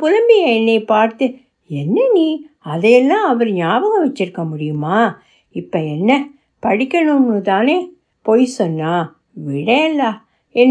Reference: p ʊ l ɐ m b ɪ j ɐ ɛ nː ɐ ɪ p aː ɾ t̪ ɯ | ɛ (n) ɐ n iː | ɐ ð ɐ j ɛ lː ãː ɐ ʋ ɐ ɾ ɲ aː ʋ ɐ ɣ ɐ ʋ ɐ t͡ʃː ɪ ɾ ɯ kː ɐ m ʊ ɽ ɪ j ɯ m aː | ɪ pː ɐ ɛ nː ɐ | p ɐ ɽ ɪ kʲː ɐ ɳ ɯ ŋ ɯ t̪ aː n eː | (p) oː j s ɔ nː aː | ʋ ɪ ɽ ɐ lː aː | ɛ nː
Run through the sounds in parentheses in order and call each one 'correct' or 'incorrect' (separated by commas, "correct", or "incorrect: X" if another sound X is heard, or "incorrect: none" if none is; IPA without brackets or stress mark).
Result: incorrect: nː, correct